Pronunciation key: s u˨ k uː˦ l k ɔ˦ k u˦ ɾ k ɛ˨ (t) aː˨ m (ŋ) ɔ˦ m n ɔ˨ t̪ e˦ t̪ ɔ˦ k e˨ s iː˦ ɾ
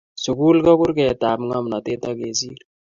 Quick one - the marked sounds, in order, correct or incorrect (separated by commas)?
correct, correct